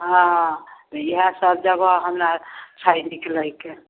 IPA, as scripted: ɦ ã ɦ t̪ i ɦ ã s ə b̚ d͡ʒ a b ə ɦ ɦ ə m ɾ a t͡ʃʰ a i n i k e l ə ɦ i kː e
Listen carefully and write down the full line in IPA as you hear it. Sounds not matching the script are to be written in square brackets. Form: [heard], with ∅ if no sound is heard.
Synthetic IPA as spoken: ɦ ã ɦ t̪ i ɦ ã s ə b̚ d͡ʒ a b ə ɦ ɦ ə m ɾ a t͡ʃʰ a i n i k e l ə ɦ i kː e